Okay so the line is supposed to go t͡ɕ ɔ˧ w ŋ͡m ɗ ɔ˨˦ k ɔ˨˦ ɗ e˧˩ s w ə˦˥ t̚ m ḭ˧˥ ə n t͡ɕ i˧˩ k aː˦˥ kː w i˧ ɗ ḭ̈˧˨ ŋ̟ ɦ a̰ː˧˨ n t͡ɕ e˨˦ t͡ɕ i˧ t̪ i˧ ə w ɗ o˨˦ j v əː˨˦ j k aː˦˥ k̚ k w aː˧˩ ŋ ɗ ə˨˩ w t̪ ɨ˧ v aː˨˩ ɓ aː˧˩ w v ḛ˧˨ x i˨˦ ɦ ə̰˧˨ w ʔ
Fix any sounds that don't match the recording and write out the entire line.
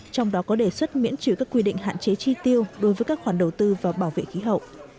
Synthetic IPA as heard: t͡ɕ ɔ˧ w ŋ͡m ɗ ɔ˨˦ k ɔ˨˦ ɗ e˧˩ s w ə˦˥ t̚ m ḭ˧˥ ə n t͡ɕ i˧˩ k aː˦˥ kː w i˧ ɗ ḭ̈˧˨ ŋ̟ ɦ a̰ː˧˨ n t͡ɕ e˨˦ t͡ɕ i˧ t̪ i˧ ə w ɗ o˨˦ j v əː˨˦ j k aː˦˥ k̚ x w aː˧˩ n ɗ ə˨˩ w t̪ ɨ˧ v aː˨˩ ɓ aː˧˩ w v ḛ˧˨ x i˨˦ ɦ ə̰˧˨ w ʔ